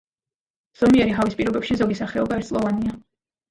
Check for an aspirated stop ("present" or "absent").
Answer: absent